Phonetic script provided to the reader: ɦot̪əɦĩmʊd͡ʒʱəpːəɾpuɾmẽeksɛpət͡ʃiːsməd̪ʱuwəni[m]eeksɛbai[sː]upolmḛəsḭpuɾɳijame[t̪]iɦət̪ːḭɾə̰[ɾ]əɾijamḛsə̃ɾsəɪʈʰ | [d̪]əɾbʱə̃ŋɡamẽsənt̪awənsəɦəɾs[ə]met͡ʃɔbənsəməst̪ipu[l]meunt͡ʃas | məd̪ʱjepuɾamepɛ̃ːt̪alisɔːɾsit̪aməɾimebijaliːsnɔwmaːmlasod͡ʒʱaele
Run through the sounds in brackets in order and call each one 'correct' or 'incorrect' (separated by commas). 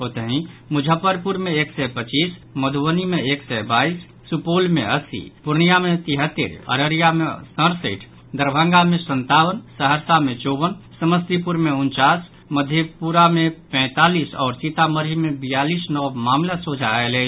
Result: correct, correct, correct, correct, correct, incorrect, incorrect